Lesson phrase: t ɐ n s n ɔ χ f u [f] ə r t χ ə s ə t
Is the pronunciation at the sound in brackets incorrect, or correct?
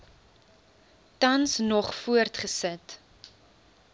incorrect